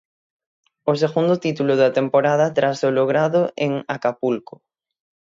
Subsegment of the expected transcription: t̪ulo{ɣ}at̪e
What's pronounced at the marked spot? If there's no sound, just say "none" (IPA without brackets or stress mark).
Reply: ð